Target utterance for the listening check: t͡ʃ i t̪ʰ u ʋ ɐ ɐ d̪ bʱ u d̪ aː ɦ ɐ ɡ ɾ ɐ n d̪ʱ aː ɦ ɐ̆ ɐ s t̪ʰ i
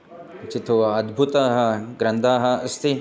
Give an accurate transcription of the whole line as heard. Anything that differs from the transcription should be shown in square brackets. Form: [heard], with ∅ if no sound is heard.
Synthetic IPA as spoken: t͡ʃ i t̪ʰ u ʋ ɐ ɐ d̪ bʱ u [t̪] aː ɦ ɐ ɡ ɾ ɐ n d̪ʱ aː ɦ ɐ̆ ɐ s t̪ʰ i

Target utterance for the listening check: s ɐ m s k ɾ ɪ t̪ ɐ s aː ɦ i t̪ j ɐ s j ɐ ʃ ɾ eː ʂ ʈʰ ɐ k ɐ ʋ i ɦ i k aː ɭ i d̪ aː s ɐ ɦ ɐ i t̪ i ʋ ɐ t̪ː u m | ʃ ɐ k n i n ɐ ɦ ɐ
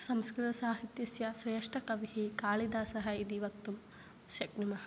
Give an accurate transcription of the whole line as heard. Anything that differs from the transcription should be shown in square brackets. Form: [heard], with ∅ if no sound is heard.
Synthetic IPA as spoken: s ɐ m s k ɾ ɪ t̪ ɐ s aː ɦ i t̪ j ɐ s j ɐ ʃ ɾ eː ʂ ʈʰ ɐ k ɐ ʋ i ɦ i k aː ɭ i d̪ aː s ɐ ɦ ɐ i [d̪] i ʋ ɐ t̪ː u m | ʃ ɐ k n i [m] ɐ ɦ ɐ

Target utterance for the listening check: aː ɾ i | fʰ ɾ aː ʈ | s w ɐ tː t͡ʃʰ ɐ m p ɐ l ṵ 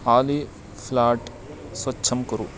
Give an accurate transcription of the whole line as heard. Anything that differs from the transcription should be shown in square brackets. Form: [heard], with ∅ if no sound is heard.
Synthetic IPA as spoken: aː [l] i | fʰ [l] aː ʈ | s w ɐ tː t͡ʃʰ ɐ m [k] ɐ [ɾ] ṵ

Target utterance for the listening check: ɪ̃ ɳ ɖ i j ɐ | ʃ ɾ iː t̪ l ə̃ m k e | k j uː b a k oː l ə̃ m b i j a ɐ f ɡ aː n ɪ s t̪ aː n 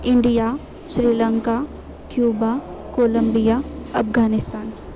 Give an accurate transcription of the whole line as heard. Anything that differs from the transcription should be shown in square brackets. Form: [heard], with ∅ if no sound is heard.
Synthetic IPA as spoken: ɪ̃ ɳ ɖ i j [a] | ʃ ɾ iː [∅] l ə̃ [ŋ] k [a] | k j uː b a k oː l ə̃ m b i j a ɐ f ɡ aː n ɪ s t̪ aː n

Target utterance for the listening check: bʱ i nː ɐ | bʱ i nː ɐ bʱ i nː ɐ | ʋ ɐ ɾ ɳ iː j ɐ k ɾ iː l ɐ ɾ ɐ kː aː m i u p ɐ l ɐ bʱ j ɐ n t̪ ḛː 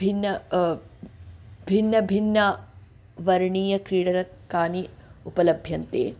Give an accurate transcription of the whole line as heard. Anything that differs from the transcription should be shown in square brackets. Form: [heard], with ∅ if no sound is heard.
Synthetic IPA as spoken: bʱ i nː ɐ | bʱ i nː ɐ bʱ i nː ɐ | ʋ ɐ ɾ ɳ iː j ɐ k ɾ iː [ɽ] ɐ ɾ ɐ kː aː [n] i u p ɐ l ɐ bʱ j ɐ n t̪ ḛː

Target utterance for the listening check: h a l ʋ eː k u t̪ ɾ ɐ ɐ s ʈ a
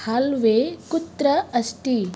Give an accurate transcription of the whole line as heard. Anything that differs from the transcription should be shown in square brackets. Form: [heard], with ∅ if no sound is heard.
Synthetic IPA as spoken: h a l ʋ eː k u t̪ ɾ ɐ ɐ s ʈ [i]

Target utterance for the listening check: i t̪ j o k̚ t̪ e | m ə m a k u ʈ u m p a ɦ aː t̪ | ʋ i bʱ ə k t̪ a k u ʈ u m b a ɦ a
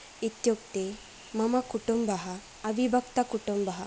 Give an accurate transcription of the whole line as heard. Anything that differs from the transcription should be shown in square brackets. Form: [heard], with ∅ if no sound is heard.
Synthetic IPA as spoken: i t̪ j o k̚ t̪ e | m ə m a k u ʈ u m [b] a ɦ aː [∅] | ʋ i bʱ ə k t̪ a k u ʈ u m b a ɦ a

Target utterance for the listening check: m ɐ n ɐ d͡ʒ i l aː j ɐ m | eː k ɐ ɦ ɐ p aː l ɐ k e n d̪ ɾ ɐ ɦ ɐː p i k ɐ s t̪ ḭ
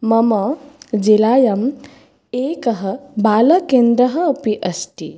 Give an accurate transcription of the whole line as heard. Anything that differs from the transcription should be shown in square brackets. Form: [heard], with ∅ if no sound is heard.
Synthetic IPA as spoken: m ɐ [m] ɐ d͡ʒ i l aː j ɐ m | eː k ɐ ɦ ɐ [b] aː l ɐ k e n d̪ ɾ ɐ ɦ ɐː p i [ʔ] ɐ s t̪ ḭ

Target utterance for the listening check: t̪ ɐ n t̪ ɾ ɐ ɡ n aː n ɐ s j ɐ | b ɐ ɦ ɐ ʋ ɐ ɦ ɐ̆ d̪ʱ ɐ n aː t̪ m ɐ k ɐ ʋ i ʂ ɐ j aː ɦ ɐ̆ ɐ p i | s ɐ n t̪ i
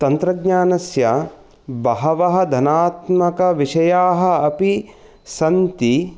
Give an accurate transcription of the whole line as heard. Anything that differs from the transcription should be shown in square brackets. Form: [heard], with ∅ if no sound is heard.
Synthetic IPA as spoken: t̪ ɐ n t̪ ɾ ɐ ɡ [ɲ] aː n ɐ s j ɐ | b ɐ ɦ ɐ ʋ ɐ ɦ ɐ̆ d̪ʱ ɐ n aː t̪ m ɐ k ɐ ʋ i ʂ ɐ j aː ɦ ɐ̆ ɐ p i | s ɐ n t̪ i

